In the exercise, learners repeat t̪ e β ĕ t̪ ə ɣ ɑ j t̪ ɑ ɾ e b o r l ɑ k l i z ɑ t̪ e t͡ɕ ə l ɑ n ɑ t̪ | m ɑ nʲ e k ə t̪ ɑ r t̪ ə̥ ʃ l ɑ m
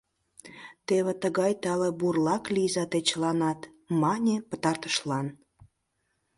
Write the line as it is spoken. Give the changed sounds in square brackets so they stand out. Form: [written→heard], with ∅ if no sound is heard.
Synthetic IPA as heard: t̪ e β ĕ t̪ ə ɣ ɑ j t̪ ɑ [ɾ→l] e b [o→u] r l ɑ k l i z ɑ t̪ e t͡ɕ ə l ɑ n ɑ t̪ | m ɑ nʲ e [k→p] ə t̪ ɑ r t̪ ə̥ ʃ l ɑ [m→n]